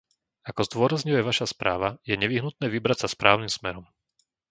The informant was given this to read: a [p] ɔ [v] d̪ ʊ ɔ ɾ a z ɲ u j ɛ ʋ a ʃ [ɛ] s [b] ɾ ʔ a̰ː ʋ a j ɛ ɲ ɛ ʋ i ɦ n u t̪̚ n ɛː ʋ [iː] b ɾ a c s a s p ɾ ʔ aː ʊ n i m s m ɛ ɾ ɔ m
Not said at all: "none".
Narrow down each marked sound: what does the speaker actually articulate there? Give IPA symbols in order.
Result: k, z, a, p, i

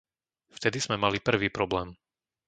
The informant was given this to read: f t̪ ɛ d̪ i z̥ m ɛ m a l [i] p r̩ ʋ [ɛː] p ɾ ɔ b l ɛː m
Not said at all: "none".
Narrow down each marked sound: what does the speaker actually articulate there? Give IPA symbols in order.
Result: i, iː

